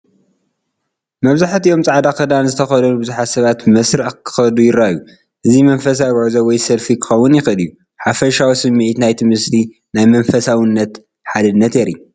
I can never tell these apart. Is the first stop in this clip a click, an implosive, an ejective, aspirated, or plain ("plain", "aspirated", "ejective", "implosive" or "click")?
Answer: plain